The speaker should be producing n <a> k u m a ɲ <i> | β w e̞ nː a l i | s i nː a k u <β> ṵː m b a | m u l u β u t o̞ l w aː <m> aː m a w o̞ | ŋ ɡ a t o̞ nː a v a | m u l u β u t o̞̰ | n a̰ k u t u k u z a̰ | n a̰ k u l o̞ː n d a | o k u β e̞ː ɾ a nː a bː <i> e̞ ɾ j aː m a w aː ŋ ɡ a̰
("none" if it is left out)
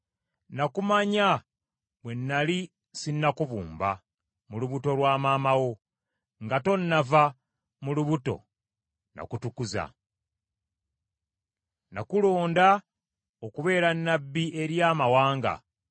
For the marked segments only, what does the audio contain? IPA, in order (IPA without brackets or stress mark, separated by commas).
a, a, β, m, i